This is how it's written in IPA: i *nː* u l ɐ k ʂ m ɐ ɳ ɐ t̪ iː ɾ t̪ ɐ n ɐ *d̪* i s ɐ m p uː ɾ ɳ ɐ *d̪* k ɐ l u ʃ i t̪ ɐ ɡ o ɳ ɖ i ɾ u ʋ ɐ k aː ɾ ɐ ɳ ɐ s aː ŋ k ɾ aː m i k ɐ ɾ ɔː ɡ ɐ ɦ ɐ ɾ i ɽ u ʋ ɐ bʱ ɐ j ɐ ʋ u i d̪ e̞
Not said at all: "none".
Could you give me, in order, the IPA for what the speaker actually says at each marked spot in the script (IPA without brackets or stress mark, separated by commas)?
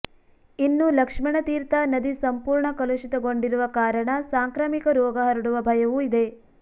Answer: nː, d̪, none